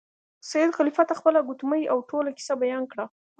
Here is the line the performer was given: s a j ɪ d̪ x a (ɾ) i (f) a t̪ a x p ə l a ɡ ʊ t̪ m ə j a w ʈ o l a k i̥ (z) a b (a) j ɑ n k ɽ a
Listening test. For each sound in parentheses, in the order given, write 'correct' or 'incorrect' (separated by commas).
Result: incorrect, correct, incorrect, correct